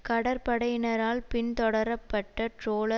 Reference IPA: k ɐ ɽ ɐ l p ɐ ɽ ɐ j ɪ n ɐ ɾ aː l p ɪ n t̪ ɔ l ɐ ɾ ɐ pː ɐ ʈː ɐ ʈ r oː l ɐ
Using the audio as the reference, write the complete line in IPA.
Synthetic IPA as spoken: k ɐ ɽ ɐ ɾ p ɐ ɽ ɐ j ɪ n ɐ ɾ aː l p ɪ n t̪ ɔ ɽ ɐ ɾ ɐ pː ɐ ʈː ɐ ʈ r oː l ɐ